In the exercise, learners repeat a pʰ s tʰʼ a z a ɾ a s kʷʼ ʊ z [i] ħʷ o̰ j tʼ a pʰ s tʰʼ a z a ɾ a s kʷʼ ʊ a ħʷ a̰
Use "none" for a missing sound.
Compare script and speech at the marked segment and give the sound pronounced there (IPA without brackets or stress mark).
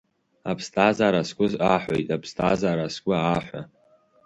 a